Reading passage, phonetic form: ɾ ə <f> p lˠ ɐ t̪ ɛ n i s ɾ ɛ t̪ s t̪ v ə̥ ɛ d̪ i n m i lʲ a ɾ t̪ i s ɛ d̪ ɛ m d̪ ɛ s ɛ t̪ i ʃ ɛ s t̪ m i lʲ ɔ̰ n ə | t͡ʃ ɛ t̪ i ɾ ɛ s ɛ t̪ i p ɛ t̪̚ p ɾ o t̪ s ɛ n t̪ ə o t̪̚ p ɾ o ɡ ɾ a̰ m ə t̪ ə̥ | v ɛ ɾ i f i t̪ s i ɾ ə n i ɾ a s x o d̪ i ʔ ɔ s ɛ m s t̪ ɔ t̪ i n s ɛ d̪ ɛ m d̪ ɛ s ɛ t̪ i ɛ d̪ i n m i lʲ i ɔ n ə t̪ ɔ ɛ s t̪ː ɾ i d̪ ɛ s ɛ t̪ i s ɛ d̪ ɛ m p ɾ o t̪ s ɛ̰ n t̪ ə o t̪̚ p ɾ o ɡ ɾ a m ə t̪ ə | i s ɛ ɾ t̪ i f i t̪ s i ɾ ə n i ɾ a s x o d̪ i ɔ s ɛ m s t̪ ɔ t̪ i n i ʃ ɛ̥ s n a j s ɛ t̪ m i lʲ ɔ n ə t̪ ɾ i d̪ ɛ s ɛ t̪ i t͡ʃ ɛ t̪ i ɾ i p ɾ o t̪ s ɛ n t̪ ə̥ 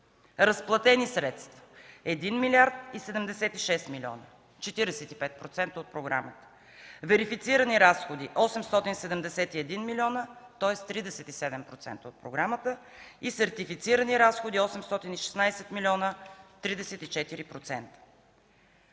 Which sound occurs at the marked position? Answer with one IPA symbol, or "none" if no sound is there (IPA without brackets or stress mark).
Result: s